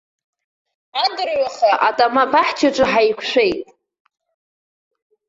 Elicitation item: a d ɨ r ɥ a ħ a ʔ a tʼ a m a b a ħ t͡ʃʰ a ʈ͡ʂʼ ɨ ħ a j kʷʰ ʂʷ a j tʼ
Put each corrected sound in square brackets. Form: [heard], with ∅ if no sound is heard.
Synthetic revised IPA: a d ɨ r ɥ a [χ] a ʔ a tʼ a m a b a ħ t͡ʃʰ a ʈ͡ʂʼ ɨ ħ a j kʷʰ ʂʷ [e] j tʼ